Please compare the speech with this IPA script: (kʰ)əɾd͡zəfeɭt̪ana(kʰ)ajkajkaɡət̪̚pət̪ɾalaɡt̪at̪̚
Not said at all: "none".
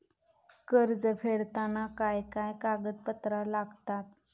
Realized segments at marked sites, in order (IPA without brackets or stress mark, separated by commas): k, k